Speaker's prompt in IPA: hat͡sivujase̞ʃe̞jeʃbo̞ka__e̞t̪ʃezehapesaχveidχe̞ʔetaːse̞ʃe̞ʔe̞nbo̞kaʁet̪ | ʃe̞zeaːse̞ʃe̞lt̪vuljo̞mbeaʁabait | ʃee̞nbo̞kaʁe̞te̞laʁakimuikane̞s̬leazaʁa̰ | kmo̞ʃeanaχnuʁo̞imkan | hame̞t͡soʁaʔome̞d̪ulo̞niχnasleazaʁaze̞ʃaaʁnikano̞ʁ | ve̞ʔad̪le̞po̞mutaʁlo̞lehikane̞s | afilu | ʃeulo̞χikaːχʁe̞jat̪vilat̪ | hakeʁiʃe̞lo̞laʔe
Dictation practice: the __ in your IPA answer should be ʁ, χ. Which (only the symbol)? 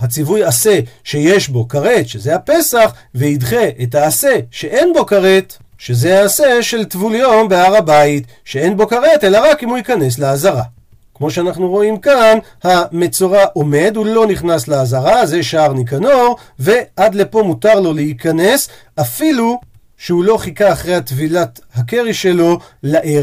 ʁ